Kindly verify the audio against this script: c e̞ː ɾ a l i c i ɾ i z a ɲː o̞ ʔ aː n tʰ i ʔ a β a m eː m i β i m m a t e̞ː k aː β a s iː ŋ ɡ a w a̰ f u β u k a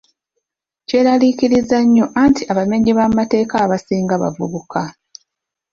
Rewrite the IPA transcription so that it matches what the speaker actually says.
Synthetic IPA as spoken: c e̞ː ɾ a l i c i ɾ i z a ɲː o̞ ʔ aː n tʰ i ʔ a β a m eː ɲ i β a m m a t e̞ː k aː β a s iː ŋ ɡ a β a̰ v u β u k a